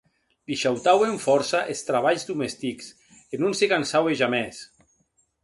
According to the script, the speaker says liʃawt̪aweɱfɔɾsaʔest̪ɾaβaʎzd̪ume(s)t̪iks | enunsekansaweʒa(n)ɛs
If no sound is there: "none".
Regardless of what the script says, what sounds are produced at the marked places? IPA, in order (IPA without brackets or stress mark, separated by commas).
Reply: s, m